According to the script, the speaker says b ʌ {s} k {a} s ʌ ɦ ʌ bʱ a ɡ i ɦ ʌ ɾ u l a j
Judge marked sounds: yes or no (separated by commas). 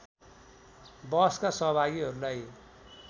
yes, yes